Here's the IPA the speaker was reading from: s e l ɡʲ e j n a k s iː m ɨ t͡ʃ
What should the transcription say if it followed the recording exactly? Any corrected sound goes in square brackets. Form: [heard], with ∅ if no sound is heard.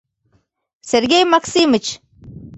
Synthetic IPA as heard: s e [ɾ] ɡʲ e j [m] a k s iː m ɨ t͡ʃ